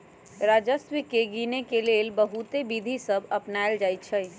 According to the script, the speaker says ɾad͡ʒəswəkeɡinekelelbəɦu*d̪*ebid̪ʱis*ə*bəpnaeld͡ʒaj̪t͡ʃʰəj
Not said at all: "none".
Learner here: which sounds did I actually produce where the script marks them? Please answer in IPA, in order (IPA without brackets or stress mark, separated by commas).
t̪, ə